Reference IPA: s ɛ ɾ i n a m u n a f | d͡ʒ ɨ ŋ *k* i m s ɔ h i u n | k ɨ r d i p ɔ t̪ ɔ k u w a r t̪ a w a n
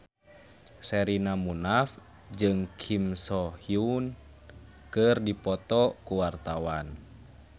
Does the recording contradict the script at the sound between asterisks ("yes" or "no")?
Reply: yes